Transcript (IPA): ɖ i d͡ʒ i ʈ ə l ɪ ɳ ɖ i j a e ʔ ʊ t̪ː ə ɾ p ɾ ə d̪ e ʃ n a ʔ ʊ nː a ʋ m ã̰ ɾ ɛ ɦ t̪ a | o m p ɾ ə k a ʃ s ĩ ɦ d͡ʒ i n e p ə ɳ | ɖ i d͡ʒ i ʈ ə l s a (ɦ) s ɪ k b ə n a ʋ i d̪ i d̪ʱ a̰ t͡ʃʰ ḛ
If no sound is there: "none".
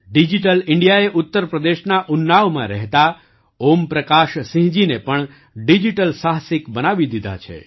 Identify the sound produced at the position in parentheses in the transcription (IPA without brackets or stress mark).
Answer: ɦ